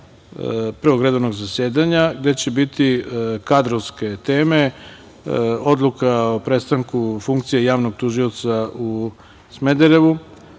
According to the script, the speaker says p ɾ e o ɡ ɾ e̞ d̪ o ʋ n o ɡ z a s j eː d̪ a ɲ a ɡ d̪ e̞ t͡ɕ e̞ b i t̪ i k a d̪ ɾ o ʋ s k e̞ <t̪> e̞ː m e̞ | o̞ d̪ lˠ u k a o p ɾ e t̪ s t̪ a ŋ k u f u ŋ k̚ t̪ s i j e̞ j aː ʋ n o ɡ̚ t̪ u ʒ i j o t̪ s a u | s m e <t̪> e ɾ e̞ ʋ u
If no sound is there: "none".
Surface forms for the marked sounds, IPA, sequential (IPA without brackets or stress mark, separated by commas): t̪, d̪